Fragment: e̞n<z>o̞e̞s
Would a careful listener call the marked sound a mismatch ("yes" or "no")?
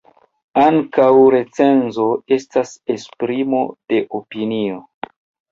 no